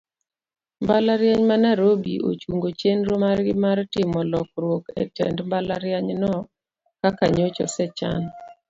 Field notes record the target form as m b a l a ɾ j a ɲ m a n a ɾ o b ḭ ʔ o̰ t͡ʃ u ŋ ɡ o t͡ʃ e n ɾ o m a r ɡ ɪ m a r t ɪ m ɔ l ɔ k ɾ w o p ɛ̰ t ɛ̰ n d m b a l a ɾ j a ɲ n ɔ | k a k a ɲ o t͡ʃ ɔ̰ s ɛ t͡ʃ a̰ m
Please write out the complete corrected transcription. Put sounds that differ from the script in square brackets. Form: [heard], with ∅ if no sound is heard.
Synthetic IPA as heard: m b a l a ɾ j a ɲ m a n a ɾ o b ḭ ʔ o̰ t͡ʃ u ŋ ɡ o t͡ʃ e n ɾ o m a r ɡ ɪ m a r t ɪ m ɔ l ɔ k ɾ w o [k] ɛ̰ t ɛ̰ n d m b a l a ɾ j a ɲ n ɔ | k a k a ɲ o t͡ʃ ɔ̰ s ɛ t͡ʃ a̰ [n]